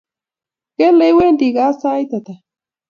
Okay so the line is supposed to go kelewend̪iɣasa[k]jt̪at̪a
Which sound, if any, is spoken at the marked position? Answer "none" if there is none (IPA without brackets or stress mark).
none